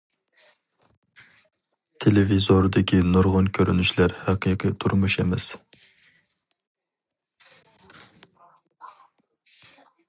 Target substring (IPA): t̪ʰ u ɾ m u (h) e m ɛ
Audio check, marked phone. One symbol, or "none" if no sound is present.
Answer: ʃ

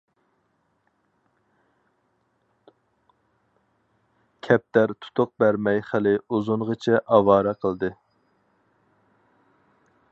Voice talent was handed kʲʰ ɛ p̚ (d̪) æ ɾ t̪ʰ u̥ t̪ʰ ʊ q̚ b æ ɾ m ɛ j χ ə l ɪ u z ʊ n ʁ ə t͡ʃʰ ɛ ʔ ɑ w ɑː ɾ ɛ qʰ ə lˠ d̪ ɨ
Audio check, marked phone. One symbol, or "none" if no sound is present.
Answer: t̪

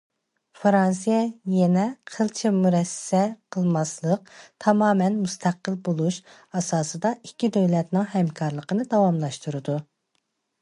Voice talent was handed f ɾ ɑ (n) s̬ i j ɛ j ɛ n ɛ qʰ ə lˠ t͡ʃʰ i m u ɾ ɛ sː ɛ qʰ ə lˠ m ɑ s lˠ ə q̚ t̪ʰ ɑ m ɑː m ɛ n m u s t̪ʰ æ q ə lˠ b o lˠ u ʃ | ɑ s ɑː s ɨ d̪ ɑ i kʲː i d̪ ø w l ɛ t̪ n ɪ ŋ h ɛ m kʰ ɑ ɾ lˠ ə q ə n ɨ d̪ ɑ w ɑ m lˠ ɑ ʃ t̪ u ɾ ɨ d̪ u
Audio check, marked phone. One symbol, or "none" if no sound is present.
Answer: n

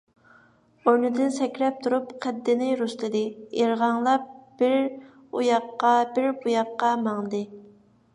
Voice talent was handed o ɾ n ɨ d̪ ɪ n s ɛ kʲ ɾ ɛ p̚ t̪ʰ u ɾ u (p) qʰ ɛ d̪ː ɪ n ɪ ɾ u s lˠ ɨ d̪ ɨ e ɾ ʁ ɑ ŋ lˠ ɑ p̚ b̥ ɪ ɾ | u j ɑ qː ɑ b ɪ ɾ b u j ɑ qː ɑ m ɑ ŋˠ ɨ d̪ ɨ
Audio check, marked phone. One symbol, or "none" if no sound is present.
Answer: p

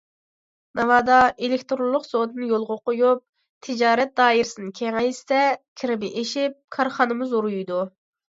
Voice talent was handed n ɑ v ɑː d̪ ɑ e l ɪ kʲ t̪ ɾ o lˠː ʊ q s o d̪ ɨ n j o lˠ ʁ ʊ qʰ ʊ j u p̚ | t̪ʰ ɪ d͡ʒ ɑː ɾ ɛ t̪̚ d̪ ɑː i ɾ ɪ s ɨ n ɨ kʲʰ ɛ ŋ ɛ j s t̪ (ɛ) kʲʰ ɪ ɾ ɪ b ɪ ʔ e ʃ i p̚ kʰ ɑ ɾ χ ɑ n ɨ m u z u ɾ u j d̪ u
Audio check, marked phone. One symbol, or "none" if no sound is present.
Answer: ɛ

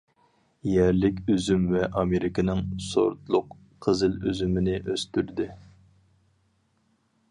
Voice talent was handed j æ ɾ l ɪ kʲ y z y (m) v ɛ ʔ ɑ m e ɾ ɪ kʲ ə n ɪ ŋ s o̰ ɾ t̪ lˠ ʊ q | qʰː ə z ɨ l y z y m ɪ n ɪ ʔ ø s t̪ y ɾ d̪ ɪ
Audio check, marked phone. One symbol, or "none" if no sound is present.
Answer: m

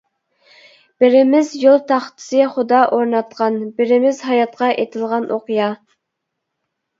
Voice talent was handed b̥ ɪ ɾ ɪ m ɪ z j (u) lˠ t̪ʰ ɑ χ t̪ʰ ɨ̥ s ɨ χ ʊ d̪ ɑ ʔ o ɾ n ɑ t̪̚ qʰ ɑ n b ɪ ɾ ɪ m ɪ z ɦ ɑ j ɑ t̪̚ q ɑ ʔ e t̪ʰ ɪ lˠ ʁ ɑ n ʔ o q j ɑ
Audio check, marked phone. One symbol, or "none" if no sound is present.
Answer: o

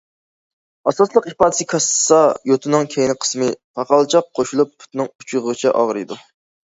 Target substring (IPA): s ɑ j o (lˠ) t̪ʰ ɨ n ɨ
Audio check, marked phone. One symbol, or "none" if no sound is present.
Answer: none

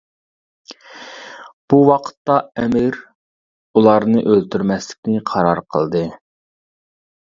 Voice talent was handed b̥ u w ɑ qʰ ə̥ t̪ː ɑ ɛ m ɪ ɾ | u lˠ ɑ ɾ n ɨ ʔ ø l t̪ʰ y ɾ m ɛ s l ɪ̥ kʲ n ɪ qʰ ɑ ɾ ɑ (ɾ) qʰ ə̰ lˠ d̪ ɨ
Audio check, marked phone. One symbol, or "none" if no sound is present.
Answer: ɾ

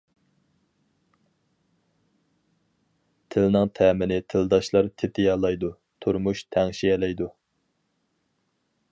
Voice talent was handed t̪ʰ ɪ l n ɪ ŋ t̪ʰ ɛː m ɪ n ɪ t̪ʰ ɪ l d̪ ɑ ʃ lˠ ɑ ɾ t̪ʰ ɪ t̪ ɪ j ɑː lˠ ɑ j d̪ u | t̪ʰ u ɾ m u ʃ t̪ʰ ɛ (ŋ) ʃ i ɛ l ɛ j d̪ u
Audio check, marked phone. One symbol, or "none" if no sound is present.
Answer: ŋ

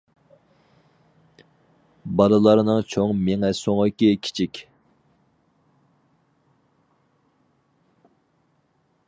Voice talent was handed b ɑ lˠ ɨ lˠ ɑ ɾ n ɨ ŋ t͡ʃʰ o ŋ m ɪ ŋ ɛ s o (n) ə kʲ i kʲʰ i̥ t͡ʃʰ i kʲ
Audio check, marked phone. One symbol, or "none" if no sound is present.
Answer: ŋ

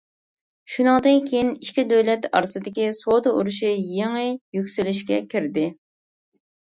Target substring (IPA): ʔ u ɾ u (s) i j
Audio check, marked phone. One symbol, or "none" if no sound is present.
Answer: ʃ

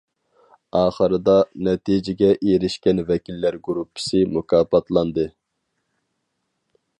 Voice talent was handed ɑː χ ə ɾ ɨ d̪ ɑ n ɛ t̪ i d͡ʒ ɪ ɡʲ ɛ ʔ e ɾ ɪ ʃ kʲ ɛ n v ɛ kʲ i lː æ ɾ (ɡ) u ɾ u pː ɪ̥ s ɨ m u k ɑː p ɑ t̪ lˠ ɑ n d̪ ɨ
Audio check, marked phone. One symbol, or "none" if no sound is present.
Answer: ɡ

